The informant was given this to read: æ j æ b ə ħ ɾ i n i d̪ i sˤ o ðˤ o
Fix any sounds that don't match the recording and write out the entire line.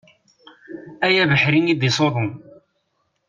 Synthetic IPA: æ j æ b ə ħ ɾ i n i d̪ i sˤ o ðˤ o